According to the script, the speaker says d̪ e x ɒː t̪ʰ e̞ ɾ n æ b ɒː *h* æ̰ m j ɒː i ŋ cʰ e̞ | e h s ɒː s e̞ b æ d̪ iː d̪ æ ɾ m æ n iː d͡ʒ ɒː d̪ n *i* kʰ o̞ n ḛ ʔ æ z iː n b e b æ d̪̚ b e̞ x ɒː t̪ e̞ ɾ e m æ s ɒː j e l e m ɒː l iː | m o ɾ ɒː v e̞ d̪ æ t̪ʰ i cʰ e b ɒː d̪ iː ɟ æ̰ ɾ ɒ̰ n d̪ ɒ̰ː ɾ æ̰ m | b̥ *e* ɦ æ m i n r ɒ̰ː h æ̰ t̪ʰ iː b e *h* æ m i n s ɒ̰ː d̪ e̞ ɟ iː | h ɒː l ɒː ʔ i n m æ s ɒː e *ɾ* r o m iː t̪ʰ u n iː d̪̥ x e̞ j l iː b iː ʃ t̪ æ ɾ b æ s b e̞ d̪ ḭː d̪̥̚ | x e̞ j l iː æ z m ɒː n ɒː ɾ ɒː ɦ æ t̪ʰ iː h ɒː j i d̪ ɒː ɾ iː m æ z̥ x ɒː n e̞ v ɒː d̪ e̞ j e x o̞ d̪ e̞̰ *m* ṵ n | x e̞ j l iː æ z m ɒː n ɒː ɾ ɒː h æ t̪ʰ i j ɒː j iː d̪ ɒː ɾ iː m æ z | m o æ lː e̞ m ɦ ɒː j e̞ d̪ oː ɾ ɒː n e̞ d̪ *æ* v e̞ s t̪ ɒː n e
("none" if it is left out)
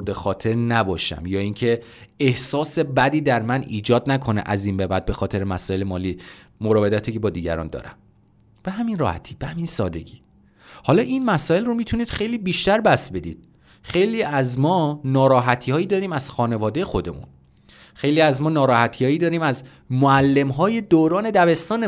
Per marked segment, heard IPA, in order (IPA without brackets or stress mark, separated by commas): ʃ, æ, e, h, l, m, æ